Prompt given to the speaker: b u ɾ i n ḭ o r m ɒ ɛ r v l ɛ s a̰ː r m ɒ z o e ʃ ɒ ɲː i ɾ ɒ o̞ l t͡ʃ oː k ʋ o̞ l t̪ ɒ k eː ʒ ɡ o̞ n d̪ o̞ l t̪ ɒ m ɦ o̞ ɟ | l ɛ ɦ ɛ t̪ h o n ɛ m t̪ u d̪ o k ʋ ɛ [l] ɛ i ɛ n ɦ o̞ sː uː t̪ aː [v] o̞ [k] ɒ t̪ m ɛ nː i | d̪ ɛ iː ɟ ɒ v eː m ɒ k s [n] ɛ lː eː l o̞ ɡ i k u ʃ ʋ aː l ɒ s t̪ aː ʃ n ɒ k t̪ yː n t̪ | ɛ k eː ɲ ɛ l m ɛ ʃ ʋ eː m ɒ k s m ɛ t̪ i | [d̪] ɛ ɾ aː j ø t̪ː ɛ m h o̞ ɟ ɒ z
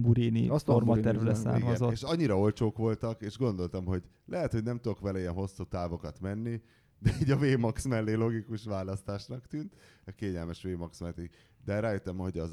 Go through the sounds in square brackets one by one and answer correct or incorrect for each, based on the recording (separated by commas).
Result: correct, correct, correct, incorrect, correct